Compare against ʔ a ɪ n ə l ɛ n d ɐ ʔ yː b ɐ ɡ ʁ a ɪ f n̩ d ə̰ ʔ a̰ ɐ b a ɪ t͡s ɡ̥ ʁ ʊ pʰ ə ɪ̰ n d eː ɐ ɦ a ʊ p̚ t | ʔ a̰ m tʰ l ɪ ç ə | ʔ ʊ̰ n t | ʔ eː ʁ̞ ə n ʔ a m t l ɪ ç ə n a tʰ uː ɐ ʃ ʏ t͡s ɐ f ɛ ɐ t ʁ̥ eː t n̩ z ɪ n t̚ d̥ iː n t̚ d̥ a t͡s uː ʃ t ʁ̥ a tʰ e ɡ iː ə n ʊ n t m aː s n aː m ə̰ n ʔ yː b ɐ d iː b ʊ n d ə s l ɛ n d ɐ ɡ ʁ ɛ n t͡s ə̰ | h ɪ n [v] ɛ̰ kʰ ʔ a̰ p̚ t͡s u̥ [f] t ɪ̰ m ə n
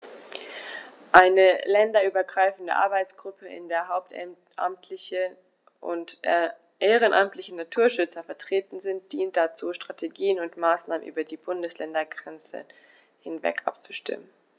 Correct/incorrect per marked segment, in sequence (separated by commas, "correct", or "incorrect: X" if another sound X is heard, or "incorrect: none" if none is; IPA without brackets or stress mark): correct, incorrect: ʃ